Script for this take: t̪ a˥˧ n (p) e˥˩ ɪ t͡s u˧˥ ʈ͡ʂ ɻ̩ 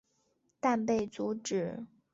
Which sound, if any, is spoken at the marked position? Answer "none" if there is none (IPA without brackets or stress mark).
p